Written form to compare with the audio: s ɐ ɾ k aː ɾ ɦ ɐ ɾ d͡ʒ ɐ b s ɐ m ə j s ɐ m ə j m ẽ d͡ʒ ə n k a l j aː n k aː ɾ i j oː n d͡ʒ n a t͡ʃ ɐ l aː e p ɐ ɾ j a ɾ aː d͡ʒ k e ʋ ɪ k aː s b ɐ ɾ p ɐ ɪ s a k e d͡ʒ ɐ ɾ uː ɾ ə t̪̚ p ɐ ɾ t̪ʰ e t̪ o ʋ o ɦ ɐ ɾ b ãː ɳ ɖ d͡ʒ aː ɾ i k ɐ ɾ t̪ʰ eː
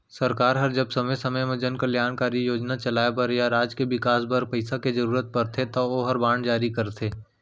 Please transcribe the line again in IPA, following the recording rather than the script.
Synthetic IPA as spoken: s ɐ ɾ k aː ɾ ɦ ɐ ɾ d͡ʒ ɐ b s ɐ m ə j s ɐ m ə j m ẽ d͡ʒ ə n k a l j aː n k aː ɾ i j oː d͡ʒ n a t͡ʃ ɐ l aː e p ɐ ɾ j a ɾ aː d͡ʒ k e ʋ ɪ k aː s b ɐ ɾ p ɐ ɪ s a k e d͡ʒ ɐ ɾ uː ɾ ə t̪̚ p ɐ ɾ t̪ʰ e t̪ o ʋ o ɦ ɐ ɾ b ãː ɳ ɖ d͡ʒ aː ɾ i k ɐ ɾ t̪ʰ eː